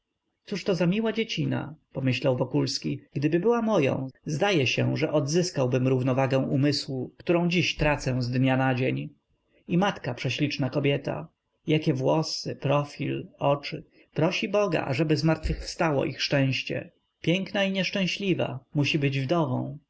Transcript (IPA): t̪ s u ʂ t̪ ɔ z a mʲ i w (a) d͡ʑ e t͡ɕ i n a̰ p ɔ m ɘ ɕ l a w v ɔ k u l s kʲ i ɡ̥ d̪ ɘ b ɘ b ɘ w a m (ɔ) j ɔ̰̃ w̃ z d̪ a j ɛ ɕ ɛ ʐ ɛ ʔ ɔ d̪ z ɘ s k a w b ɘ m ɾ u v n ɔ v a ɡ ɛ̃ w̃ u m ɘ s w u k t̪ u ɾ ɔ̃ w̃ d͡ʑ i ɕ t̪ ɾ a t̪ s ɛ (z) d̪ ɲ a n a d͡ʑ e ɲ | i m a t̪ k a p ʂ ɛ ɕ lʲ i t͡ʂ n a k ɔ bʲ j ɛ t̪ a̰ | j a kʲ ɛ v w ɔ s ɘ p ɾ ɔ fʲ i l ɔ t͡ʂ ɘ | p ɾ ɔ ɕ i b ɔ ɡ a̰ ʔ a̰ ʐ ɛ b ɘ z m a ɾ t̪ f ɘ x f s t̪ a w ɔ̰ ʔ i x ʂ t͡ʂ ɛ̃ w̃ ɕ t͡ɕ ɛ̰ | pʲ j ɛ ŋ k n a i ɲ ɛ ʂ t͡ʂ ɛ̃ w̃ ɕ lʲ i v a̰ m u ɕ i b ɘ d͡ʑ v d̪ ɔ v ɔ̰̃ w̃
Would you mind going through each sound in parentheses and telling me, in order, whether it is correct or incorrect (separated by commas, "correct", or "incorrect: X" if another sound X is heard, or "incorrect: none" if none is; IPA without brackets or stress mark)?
correct, correct, correct